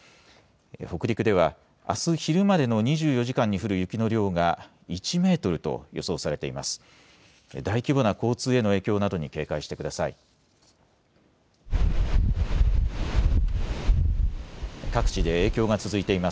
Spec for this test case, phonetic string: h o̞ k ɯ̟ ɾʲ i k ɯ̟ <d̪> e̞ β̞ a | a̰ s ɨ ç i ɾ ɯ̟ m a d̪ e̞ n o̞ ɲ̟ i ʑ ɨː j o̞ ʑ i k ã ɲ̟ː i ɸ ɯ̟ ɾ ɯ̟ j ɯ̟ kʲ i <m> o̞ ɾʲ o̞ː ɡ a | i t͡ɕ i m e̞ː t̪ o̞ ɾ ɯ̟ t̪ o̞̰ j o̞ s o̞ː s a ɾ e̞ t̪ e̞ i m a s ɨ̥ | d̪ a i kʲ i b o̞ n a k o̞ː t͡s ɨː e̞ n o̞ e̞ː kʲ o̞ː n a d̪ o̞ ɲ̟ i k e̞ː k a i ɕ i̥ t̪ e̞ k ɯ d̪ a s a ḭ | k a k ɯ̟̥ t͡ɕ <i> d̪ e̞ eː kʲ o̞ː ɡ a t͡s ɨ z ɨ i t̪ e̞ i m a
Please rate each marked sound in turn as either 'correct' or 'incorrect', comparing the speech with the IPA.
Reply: correct, incorrect: n, correct

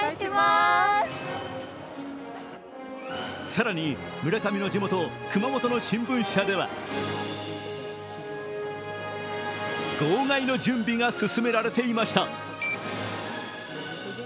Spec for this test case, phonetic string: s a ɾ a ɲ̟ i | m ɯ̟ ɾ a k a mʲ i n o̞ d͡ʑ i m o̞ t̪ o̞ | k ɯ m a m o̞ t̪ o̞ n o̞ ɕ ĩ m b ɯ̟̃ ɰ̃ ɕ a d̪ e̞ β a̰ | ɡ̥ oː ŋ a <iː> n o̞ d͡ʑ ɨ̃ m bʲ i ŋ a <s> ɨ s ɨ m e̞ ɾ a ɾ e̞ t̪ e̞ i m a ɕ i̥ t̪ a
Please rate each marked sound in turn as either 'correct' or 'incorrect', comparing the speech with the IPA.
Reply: incorrect: i, correct

